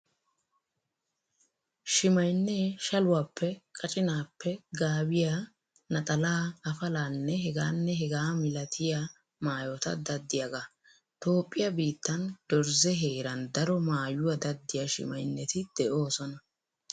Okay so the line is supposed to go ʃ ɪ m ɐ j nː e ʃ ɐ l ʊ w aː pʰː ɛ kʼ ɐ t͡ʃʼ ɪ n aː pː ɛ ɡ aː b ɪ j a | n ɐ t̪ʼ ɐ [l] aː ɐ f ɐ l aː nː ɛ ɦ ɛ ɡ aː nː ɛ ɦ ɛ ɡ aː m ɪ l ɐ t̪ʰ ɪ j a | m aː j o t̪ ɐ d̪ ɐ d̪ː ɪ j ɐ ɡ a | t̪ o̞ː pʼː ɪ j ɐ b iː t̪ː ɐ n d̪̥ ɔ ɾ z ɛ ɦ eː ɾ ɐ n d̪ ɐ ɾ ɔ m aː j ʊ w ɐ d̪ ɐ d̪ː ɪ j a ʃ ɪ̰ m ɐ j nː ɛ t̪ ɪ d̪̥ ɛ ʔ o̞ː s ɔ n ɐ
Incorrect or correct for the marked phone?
correct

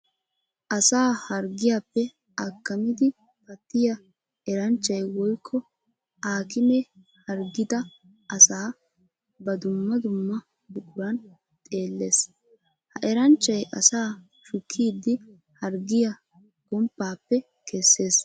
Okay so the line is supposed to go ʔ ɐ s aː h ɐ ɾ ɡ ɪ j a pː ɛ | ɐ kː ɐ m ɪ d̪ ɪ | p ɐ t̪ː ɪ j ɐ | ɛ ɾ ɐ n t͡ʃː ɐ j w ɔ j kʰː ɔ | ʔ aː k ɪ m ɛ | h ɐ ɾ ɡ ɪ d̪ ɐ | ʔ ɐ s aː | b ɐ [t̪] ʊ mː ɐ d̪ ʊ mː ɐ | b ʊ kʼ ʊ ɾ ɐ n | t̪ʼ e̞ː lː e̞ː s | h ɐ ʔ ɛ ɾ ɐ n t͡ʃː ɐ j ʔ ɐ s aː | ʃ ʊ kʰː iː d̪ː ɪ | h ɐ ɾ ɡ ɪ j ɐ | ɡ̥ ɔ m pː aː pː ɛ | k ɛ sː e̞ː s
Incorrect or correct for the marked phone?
incorrect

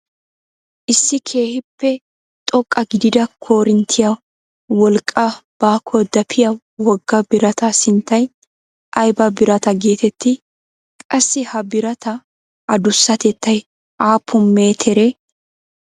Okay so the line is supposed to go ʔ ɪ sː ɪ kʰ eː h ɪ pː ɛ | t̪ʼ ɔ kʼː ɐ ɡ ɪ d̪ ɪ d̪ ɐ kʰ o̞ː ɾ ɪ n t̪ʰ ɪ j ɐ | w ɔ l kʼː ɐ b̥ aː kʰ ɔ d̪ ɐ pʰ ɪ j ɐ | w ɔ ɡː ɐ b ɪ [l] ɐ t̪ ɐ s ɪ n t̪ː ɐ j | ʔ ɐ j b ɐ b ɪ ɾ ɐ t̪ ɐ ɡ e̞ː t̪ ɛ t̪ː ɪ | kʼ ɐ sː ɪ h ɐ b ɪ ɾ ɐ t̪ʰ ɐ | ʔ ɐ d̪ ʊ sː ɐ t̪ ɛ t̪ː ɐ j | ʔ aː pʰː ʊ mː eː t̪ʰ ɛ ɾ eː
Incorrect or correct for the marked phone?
incorrect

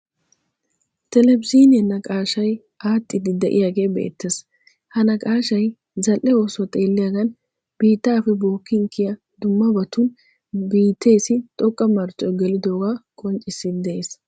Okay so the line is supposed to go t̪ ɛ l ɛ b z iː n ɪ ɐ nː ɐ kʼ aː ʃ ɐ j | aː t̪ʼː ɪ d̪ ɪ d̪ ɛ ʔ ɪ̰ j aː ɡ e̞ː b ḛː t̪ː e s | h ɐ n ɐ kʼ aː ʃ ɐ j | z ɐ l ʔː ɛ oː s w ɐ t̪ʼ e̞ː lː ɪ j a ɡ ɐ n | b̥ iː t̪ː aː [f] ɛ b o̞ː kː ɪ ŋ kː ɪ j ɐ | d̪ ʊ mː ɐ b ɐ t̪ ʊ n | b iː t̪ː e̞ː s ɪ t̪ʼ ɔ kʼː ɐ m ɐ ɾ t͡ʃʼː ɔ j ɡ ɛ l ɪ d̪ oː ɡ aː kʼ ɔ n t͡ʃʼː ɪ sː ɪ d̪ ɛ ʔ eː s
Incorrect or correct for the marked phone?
correct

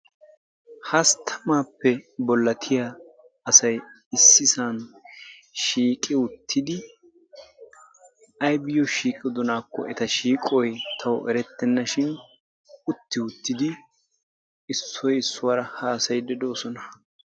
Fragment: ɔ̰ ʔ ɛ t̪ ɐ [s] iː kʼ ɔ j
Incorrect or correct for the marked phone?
incorrect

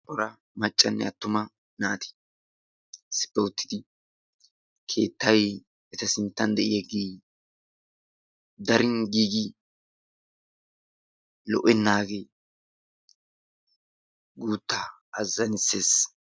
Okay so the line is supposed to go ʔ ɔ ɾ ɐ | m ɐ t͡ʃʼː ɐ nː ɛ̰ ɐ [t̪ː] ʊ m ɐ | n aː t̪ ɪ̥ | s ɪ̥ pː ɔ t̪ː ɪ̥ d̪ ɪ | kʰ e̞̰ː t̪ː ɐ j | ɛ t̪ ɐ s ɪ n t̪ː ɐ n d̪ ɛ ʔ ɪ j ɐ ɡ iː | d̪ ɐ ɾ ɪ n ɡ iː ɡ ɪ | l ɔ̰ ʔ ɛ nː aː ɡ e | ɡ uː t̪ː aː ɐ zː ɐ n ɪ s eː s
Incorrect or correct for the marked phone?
correct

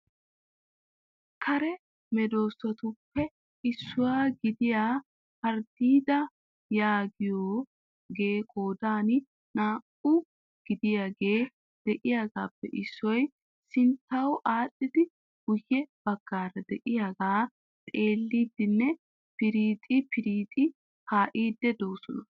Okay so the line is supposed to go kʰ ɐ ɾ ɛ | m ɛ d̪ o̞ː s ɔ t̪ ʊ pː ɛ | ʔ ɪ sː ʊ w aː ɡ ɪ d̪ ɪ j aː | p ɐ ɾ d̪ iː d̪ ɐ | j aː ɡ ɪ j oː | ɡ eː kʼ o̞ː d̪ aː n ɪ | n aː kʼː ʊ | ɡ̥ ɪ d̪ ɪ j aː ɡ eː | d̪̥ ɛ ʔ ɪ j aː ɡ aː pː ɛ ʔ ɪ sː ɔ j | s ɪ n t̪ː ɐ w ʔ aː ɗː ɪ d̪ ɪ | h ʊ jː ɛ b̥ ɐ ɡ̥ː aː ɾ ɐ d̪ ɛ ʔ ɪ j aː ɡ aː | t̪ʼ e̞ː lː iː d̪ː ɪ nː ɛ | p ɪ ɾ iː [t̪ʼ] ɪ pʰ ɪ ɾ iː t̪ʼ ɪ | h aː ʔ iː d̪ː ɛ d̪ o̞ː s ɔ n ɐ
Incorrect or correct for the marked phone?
correct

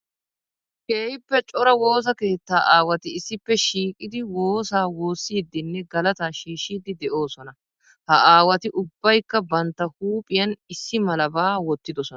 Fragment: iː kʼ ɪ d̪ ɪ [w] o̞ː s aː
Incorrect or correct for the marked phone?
correct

